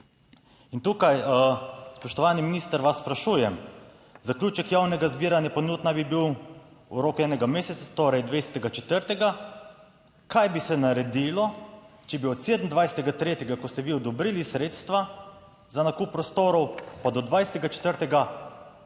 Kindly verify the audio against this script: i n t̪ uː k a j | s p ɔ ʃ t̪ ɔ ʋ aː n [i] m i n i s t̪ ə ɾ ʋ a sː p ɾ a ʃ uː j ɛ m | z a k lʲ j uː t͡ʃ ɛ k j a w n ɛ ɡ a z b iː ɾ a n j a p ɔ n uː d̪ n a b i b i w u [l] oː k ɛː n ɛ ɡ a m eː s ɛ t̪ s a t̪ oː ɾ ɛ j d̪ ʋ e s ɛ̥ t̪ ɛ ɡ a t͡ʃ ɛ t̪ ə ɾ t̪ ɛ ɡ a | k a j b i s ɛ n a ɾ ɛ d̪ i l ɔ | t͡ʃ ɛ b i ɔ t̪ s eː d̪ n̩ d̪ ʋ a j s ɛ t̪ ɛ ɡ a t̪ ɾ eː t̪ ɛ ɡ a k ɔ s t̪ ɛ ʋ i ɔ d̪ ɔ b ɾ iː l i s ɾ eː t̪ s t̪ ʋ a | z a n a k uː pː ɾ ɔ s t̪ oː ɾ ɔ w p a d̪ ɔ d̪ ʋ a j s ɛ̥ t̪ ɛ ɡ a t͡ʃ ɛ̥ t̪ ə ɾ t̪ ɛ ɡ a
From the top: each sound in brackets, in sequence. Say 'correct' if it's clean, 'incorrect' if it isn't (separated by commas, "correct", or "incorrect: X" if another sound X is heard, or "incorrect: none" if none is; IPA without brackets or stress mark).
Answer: correct, incorrect: ɾ